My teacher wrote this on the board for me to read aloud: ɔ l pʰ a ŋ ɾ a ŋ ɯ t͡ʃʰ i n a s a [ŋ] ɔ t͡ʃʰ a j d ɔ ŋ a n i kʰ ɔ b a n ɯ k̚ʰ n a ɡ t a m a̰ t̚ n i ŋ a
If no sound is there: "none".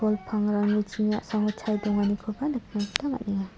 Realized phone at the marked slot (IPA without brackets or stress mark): ŋ